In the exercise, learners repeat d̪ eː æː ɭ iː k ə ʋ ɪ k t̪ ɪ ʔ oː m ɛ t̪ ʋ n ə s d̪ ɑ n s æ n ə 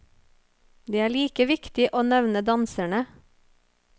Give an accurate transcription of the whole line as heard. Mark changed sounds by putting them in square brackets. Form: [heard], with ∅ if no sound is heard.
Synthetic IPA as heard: d̪ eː æː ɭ iː k ə ʋ ɪ k t̪ ɪ ʔ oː [n] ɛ [∅] ʋ n ə [∅] d̪ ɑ n s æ [ɳ] ə